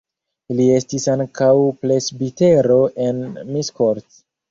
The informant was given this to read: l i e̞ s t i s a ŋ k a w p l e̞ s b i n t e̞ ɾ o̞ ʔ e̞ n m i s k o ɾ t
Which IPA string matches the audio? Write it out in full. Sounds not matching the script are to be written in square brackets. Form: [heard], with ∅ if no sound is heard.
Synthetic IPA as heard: l i e̞ s t i s a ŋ k a w p l e̞ s b i [∅] t e̞ ɾ o̞ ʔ e̞ n m i s k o ɾ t